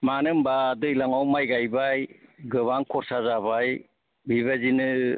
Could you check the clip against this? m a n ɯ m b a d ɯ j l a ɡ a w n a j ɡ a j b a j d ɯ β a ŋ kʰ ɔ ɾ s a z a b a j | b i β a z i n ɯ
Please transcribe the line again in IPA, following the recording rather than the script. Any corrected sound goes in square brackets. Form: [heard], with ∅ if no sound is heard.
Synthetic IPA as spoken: m a n ɯ m b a d ɯ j l a [ŋ] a w [m] a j ɡ a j b a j [ɡ] ɯ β a ŋ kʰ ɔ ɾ s a z a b a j | b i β a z i n ɯ